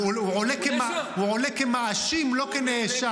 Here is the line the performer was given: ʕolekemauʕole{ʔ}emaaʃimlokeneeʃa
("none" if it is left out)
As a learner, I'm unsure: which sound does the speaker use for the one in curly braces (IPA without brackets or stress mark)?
k